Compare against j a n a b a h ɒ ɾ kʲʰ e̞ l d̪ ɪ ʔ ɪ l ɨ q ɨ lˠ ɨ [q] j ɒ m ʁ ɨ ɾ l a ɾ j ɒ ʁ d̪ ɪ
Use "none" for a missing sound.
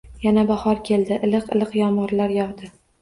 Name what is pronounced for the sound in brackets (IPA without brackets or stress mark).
q